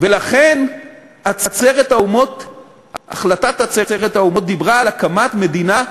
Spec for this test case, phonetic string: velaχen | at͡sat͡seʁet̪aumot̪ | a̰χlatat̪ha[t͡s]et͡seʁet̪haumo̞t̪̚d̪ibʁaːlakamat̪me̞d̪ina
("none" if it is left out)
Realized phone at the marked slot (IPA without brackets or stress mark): t͡s